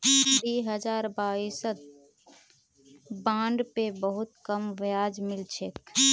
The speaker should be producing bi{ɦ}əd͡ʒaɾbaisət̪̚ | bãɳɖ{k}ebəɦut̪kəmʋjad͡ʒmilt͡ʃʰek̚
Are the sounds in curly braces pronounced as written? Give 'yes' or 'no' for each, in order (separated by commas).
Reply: yes, no